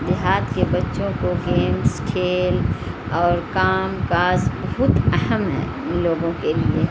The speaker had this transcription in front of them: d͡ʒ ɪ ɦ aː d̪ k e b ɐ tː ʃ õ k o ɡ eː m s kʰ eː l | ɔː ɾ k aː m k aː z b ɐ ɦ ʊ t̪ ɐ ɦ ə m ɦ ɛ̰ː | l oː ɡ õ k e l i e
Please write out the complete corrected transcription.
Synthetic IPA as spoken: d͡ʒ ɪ ɦ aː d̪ k e b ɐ tː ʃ õ k o ɡ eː m s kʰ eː l | ɔː ɾ k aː m k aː z b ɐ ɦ ʊ t̪ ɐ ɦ ə m ɦ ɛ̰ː | l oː ɡ õ k e l i e